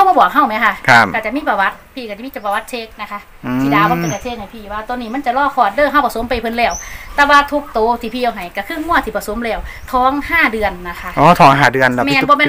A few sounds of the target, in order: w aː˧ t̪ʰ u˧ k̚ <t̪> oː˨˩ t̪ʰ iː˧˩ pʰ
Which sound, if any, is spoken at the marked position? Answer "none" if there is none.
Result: t̪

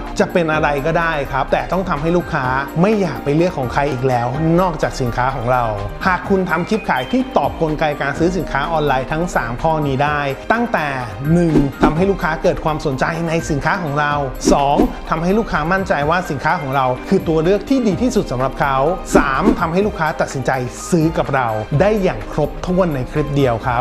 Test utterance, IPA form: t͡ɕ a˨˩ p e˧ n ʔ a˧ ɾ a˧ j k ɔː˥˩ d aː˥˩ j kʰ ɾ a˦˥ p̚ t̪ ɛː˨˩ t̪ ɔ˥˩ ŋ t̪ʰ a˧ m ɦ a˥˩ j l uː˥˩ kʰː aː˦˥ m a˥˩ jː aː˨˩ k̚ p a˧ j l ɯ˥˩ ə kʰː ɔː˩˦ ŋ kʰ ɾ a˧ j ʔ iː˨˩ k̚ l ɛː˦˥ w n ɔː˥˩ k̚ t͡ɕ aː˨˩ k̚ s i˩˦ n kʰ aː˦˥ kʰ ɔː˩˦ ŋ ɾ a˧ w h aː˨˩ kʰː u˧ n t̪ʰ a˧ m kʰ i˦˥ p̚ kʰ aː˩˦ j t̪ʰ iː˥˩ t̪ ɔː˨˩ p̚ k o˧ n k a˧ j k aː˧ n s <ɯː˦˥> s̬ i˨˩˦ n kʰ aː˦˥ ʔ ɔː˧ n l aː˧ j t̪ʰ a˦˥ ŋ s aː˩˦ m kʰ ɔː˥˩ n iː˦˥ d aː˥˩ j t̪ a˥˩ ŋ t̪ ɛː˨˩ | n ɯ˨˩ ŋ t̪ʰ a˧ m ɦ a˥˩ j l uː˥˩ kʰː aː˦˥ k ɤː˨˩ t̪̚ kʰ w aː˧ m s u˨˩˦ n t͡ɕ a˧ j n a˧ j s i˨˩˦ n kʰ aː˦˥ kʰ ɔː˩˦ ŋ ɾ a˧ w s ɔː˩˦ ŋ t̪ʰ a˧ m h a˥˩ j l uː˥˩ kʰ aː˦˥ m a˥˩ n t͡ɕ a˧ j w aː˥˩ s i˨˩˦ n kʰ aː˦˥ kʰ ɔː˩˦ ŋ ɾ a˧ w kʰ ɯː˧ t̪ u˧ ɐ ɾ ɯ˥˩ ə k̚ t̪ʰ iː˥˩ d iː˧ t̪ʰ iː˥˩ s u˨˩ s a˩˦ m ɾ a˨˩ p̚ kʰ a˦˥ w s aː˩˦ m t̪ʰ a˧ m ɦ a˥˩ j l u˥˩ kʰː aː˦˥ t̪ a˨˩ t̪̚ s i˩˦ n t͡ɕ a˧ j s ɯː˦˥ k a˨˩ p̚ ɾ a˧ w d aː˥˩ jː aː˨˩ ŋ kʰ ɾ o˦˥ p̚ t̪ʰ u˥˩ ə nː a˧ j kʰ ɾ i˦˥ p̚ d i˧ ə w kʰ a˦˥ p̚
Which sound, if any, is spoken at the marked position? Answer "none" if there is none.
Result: ɯː˦˥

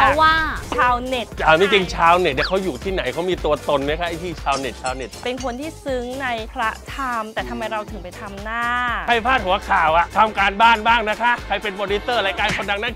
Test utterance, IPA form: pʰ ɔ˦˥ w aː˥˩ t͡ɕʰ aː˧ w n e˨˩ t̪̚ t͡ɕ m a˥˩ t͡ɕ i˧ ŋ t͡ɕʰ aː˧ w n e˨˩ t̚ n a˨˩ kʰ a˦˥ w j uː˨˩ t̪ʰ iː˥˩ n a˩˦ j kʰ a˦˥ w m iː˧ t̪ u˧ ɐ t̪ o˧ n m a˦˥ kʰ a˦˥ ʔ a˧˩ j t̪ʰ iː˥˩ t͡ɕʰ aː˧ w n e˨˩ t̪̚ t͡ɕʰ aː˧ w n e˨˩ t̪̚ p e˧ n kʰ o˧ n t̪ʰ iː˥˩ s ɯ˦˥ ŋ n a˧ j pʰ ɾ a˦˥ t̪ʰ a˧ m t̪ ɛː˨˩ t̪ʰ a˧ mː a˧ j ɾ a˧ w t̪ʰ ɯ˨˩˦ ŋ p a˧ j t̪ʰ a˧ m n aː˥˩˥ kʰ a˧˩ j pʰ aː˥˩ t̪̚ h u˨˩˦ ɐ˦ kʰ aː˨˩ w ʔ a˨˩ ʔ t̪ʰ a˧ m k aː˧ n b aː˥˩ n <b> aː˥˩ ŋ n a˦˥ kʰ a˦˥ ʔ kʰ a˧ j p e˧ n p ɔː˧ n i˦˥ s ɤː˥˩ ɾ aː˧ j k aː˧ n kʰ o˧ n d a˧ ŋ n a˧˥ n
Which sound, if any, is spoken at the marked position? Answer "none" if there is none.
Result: b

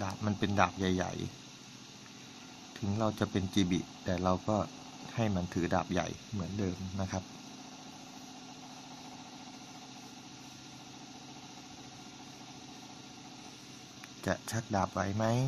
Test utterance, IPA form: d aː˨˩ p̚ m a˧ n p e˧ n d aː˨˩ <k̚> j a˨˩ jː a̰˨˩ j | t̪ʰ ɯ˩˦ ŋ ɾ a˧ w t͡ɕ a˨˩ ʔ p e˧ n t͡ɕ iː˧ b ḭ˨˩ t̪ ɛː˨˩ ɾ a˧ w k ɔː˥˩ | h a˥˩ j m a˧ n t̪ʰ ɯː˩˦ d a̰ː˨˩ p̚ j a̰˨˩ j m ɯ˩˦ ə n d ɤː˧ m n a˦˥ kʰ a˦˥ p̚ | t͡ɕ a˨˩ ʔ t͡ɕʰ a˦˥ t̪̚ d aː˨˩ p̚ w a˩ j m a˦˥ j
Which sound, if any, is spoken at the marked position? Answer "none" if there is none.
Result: p̚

